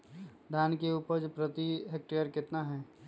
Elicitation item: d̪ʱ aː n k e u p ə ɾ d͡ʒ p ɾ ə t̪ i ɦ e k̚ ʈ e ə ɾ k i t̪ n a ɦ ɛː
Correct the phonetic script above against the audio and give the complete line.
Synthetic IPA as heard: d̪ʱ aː n k e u p ə ɾ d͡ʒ p ɾ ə t̪ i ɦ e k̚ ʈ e ə ɾ k ɪ t̪ n a ɦ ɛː